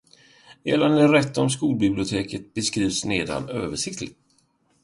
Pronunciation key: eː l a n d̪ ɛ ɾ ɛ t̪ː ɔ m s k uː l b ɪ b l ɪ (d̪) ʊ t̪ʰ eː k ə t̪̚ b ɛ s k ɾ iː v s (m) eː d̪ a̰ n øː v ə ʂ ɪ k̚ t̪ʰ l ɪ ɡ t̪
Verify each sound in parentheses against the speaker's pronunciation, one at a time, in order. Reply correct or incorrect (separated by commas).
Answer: incorrect, incorrect